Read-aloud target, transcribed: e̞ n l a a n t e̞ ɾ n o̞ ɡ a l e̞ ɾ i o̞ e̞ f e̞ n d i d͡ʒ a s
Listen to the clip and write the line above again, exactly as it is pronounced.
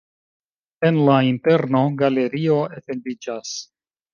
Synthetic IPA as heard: e̞ n l a i n t e̞ ɾ n o̞ ɡ a l e̞ ɾ i o̞ e̞ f e̞ n d i d͡ʒ a s

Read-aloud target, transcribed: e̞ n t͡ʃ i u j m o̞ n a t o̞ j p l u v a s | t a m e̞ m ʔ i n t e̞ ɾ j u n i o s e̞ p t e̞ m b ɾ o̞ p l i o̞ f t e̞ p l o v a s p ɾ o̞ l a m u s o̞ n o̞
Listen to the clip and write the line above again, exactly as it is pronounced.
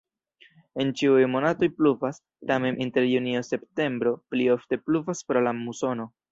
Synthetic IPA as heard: e̞ n t͡ʃ i u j m o̞ n a t o̞ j p l u v a s | t a m e̞ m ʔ i n t e̞ ɾ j u n i o s e̞ p t e̞ m b ɾ o̞ p l i o̞ f t e̞ p l u v a s p ɾ o̞ l a m u s o̞ n o̞

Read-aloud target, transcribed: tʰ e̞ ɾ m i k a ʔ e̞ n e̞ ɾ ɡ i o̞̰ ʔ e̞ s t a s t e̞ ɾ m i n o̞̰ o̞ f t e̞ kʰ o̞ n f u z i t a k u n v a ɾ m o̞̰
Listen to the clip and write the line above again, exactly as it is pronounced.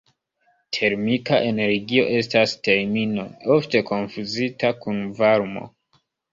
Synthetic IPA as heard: tʰ e̞ ɾ m i k a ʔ e̞ n e̞ ɾ ɡ i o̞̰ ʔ e̞ s t a s t e̞ ɾ m i n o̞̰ o̞ f t e̞ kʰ o̞ n f u z i t a k u n v a ɾ m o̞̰

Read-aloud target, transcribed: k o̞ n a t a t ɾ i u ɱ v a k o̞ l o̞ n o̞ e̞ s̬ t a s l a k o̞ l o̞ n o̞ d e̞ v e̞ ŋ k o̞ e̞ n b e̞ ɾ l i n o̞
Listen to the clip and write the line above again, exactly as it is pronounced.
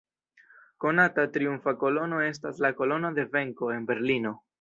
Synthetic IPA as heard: k o̞ n a t a t ɾ i u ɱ f a k o̞ l o̞ n o̞ e̞ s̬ t a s l a k o̞ l o̞ n o̞ d e̞ v e̞ ŋ k o̞ e̞ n b e̞ ɾ l i n o̞

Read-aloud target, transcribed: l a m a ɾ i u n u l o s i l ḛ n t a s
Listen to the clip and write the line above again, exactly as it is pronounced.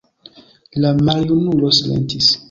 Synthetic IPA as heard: l a m a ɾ j u n u l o s i l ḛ n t i s

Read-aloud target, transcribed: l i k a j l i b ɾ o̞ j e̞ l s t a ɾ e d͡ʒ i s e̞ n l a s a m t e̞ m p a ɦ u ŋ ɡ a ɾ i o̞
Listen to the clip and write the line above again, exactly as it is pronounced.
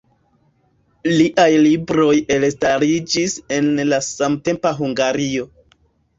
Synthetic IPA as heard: l i ʔ a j l i b ɾ o̞ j e̞ l s t a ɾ i d͡ʒ i s e̞ n l a s a m t e̞ m p a ɦ u ŋ ɡ a ɾ i o̞

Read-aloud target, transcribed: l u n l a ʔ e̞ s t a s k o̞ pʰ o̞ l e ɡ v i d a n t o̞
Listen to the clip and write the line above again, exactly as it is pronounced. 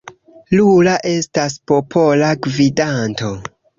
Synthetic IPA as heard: l u l a ʔ e̞ s t a s p o̞ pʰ o̞ l a ɡ v i d a n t o̞

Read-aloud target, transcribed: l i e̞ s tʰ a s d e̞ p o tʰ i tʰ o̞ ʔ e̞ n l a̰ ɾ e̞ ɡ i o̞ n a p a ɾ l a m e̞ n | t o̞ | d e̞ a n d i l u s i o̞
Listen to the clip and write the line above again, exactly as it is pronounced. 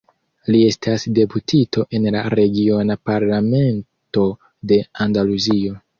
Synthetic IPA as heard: l i e̞ s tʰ a s d e̞ p u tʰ i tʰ o̞ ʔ e̞ n l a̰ ɾ e̞ ɡ i o̞ n a p a ɾ l a m e̞ n | t o̞ | d e̞ a n d a l u z i o̞

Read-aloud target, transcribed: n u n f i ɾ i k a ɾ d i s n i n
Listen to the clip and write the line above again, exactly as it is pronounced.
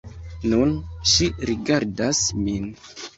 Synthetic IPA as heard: n u n ʃ i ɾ i ɡ a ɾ d a s m i n

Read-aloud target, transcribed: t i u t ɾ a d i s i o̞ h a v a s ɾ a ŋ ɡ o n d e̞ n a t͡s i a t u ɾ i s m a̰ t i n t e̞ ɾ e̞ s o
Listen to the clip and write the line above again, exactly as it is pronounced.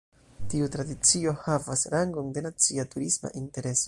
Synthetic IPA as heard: t i u t ɾ a d i t͡s i o̞ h a v a s ɾ a ŋ ɡ o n d e̞ n a t͡s i a t u ɾ i s m a̰ ʔ i n t e̞ ɾ e̞ s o

